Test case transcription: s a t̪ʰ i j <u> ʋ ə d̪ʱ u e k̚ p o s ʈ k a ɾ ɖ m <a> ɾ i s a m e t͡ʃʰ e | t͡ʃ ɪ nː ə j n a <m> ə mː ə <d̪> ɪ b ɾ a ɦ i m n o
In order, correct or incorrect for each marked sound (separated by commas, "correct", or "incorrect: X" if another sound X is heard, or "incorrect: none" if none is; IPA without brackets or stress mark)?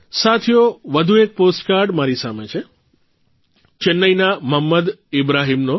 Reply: incorrect: o, correct, correct, correct